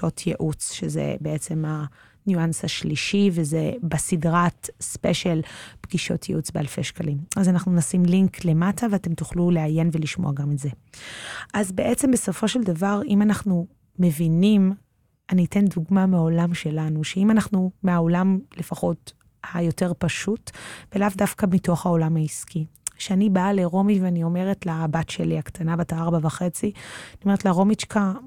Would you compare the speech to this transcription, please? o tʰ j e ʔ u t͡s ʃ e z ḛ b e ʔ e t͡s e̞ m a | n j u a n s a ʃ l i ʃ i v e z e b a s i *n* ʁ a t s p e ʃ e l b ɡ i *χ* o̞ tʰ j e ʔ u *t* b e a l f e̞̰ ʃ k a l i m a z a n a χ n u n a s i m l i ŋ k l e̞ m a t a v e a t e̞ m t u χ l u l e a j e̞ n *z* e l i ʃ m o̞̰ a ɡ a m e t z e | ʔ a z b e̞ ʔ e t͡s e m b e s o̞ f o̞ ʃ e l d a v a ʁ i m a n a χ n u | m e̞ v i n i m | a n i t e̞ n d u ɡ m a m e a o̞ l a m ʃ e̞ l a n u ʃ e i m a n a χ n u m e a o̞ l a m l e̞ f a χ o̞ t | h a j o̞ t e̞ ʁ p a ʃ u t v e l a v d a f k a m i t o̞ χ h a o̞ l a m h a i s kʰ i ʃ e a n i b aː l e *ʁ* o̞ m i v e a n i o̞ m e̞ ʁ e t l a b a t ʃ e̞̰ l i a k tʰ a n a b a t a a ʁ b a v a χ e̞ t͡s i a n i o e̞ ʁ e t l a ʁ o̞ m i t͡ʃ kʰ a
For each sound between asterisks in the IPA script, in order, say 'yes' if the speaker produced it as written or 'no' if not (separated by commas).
no, no, no, no, yes